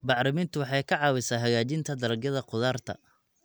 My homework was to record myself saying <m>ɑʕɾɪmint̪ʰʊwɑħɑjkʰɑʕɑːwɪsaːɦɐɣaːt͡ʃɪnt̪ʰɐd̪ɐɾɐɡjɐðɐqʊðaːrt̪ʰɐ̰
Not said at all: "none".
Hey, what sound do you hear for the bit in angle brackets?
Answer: b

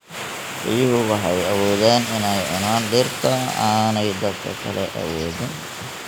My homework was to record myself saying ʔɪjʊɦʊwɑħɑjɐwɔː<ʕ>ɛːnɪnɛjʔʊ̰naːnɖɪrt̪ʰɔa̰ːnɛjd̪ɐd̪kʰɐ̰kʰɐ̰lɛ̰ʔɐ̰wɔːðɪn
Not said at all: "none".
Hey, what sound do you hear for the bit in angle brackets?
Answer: ð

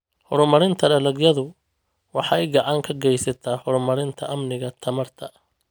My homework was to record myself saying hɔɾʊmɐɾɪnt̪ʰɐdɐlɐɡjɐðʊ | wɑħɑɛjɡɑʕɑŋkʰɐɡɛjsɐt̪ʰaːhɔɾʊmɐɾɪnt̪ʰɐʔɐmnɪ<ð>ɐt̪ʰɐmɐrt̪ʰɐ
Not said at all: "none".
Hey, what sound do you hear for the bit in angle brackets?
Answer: ɣ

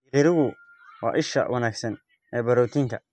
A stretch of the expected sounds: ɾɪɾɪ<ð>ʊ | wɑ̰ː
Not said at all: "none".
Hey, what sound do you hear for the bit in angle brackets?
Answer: ɣ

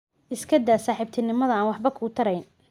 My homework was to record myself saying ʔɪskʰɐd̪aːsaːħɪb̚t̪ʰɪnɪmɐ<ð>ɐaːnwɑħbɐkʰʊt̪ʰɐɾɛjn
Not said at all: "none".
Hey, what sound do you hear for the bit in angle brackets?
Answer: ð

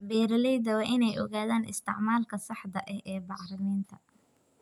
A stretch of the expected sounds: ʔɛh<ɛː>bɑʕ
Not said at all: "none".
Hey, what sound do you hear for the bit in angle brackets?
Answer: ɛː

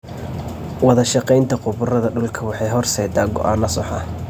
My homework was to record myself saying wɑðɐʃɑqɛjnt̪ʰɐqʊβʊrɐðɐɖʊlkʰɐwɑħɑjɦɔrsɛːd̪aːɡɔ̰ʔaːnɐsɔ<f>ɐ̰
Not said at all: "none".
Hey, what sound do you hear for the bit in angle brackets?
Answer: ħ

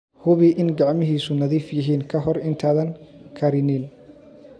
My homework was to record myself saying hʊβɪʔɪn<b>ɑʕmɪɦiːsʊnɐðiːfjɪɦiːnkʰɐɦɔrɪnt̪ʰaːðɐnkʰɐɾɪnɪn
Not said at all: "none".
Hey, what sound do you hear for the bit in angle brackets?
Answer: ɡ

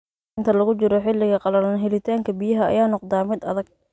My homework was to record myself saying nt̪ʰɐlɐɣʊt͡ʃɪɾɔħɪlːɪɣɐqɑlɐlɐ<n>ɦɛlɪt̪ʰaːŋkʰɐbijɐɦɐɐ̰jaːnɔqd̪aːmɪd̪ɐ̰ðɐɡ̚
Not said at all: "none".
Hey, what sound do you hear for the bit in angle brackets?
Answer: n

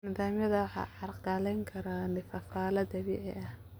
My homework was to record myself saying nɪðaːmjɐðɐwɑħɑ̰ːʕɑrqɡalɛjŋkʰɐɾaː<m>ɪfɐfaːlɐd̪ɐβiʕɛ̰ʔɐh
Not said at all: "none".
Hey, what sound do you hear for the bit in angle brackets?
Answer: n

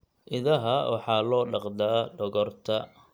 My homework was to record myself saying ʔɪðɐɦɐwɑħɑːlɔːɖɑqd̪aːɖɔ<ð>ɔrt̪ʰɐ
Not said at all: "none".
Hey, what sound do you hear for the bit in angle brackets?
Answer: ɣ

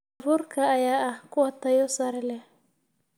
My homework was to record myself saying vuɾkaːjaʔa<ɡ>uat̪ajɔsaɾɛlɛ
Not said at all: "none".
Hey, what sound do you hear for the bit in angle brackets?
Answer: k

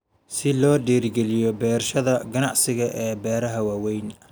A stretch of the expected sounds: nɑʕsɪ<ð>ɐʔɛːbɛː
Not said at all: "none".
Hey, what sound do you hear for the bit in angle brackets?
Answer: ɣ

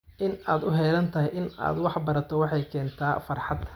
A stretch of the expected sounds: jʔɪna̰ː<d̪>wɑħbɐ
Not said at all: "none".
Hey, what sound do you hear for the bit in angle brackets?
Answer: d̪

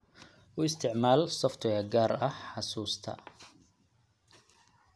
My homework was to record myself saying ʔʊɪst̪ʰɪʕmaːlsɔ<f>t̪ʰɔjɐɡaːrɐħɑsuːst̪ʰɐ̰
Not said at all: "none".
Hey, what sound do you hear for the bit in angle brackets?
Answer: f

